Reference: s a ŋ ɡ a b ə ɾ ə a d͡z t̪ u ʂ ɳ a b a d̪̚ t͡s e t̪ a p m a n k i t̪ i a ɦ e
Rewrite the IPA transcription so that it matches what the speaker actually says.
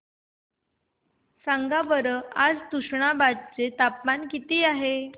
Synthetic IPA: s a ŋ ɡ a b ə ɾ ə a d͡z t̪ u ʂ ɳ a b a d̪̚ t͡s e t̪ a p m a n k i t̪ iː a ɦ e